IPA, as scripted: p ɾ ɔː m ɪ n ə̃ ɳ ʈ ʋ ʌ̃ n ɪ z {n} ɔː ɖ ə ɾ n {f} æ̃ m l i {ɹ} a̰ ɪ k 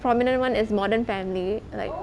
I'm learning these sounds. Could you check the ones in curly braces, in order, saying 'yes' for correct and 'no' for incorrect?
no, yes, no

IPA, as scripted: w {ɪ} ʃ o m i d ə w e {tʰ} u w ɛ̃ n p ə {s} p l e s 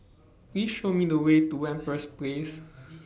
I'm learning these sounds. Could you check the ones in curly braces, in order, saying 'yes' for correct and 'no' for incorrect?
no, no, yes

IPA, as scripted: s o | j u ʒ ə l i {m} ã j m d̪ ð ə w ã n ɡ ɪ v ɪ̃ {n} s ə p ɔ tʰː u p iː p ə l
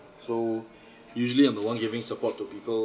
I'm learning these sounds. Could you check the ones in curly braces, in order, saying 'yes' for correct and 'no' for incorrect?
no, no

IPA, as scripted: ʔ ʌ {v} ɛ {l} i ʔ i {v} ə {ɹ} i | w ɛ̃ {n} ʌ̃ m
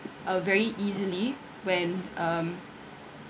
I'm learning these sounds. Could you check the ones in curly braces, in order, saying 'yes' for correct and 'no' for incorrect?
yes, no, no, no, yes

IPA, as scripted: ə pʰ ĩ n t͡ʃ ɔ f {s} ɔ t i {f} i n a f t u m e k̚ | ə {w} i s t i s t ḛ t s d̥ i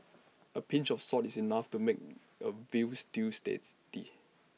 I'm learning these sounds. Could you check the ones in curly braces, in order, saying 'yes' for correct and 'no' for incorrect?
yes, no, no

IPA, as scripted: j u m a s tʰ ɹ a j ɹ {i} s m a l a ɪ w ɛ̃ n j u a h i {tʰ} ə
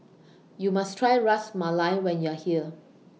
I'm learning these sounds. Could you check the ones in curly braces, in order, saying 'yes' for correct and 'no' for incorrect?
no, no

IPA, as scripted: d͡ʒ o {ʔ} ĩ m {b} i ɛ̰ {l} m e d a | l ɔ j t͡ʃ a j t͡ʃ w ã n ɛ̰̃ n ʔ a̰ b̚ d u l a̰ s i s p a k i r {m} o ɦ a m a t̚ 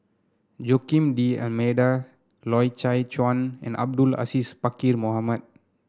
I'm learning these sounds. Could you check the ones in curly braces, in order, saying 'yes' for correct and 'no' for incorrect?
no, no, yes, yes

